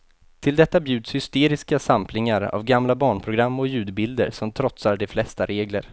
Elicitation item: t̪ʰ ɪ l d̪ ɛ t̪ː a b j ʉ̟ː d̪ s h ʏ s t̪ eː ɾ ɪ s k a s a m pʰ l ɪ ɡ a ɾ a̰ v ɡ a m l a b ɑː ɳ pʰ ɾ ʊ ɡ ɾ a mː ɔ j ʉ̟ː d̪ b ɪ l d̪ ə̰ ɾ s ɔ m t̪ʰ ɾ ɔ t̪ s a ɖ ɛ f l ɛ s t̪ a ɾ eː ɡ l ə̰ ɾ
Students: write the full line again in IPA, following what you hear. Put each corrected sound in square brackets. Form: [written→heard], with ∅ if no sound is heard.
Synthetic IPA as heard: t̪ʰ ɪ l d̪ ɛ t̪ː a b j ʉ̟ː d̪ s h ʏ s t̪ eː ɾ ɪ s k a s a m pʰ l ɪ [ɡ→ŋ] a ɾ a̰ v ɡ a m l a b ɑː ɳ pʰ ɾ ʊ ɡ ɾ a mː ɔ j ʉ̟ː d̪ b ɪ l d̪ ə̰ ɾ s ɔ m t̪ʰ ɾ ɔ t̪ s a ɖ ɛ f l ɛ s t̪ a ɾ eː ɡ l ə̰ ɾ